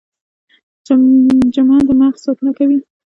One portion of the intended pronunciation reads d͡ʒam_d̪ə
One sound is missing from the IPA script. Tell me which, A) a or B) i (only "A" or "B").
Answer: A